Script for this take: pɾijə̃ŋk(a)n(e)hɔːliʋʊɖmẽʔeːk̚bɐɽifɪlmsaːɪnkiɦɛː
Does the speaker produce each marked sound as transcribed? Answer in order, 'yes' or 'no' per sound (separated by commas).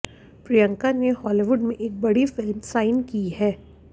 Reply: yes, yes